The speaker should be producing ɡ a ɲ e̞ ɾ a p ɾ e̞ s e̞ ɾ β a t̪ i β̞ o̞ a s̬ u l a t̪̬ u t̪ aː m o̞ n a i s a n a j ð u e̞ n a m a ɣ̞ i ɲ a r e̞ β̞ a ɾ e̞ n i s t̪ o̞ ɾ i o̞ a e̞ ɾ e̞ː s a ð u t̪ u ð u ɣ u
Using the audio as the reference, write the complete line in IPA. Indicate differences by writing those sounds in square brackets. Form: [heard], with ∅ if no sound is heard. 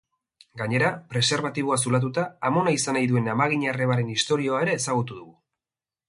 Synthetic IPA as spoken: ɡ a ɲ e̞ ɾ a p ɾ e̞ s e̞ ɾ β a t̪ i β̞ o̞ a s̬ u l a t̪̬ u t̪ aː m o̞ n a i s a n a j ð u e̞ n a m a ɣ̞ i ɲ a r e̞ β̞ a ɾ e̞ n i s t̪ o̞ ɾ i o̞ a e̞ ɾ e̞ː s a [ɣ] u t̪ u ð u ɣ u